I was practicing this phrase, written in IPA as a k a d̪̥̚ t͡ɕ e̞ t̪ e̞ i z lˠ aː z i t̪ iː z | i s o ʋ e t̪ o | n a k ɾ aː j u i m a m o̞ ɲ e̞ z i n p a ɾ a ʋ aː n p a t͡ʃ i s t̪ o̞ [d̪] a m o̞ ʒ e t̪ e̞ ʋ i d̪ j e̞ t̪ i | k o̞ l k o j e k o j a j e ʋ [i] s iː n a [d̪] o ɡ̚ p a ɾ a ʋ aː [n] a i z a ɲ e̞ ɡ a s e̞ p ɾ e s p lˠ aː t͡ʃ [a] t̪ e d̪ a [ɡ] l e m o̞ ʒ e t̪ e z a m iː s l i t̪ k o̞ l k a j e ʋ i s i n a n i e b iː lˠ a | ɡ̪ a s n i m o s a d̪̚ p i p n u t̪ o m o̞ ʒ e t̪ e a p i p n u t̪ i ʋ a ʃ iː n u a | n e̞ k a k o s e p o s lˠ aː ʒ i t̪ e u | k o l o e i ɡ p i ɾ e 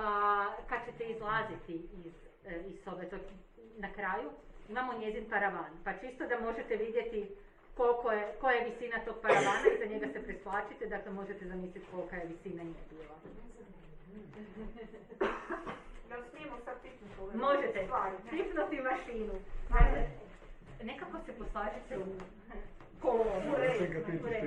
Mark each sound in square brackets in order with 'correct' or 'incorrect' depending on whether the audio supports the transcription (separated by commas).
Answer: correct, correct, incorrect, correct, incorrect, incorrect